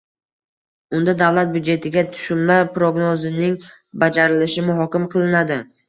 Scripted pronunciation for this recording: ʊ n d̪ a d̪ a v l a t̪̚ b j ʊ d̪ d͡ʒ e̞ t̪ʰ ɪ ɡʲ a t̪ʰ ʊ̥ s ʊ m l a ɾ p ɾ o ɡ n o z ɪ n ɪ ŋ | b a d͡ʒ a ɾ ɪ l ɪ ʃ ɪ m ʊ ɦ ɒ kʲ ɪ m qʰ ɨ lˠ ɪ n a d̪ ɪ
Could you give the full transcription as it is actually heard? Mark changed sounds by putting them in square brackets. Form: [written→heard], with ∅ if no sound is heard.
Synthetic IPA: ʊ n d̪ a d̪ a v l a t̪̚ b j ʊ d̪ d͡ʒ e̞ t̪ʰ ɪ ɡʲ a t̪ʰ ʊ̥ [s→ʃ] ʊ m l a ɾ p ɾ o ɡ n o z ɪ n ɪ ŋ | b a d͡ʒ a ɾ ɪ l ɪ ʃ ɪ m ʊ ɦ ɒ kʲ ɪ m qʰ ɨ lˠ ɪ n a d̪ ɪ